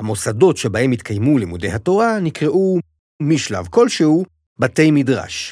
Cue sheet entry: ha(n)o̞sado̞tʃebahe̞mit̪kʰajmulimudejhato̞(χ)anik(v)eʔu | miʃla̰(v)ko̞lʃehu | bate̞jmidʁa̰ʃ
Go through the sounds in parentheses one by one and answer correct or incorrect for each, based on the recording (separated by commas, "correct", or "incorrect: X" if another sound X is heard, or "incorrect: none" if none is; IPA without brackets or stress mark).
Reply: incorrect: m, incorrect: ʁ, incorrect: ʁ, correct